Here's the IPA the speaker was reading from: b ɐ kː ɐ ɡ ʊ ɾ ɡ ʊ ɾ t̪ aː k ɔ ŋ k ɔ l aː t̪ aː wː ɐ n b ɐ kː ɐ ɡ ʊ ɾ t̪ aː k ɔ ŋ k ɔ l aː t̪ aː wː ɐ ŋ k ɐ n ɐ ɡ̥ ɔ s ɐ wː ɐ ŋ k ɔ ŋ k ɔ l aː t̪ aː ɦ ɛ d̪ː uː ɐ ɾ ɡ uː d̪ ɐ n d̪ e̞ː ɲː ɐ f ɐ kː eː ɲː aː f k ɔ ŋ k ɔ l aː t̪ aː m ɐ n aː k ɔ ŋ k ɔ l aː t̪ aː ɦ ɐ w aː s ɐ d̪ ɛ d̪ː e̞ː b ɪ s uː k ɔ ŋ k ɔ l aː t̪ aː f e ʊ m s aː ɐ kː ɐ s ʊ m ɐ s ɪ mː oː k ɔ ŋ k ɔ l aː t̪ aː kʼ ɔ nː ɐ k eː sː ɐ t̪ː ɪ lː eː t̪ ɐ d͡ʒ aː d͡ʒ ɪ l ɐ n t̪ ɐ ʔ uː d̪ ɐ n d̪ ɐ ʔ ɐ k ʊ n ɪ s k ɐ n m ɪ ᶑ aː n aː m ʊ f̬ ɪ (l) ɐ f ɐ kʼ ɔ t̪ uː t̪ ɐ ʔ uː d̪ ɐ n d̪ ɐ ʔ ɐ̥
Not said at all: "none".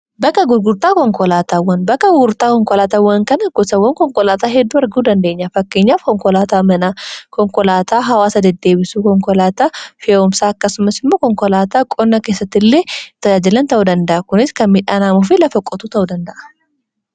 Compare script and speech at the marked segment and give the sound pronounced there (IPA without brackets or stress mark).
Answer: l